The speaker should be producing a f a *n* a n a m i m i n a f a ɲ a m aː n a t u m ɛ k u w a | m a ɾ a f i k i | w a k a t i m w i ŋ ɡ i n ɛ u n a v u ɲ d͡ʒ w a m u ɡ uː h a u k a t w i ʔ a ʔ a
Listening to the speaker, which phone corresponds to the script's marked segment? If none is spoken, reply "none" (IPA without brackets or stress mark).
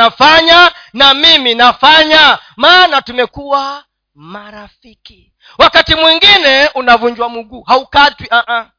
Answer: ɲ